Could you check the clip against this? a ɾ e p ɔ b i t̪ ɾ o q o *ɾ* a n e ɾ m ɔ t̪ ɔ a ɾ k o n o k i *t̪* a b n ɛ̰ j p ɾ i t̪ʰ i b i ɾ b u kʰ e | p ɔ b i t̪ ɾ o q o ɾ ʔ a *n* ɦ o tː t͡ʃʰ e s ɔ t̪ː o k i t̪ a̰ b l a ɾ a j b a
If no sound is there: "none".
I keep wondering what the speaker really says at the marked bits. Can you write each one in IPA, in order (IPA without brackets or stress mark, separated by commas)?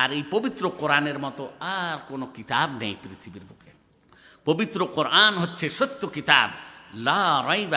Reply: ɾ, t̪, n